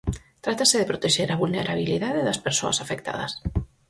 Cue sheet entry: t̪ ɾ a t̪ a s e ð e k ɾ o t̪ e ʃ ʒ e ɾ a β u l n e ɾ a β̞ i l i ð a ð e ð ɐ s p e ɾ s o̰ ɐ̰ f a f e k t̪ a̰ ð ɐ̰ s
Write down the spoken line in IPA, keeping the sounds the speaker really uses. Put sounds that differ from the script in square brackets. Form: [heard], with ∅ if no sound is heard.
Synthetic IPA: t̪ ɾ a t̪ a s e ð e [p] ɾ o t̪ e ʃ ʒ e ɾ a β u l n e ɾ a β̞ i l i ð a ð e ð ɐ s p e ɾ s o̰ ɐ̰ [s] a f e k t̪ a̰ ð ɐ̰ s